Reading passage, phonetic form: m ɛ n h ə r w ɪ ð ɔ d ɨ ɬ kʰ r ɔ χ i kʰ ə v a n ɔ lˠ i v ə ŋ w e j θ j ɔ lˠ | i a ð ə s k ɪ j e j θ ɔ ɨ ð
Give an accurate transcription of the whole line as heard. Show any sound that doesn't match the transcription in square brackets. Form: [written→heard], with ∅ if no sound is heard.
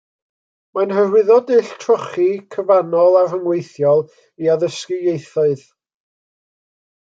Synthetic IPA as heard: m [ɛ→a] n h ə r w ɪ ð ɔ d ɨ ɬ [kʰ→tʰ] r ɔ χ i kʰ ə v a n ɔ lˠ [i→a] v ə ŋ w e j θ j ɔ lˠ | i a ð ə s k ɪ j e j θ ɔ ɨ ð